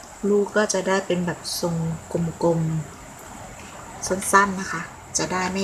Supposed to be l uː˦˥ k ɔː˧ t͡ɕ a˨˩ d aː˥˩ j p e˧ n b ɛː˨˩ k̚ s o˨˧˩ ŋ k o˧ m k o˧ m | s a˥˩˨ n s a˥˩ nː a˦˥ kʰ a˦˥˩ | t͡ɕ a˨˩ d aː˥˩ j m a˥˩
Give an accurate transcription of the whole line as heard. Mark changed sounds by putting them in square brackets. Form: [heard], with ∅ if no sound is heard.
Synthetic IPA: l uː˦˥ k [ɔː˥˩] t͡ɕ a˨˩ d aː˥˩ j p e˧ n b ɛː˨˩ [p̚] s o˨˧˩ ŋ k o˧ m k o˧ m | s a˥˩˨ n s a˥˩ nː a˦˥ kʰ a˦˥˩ | t͡ɕ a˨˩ d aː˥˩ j m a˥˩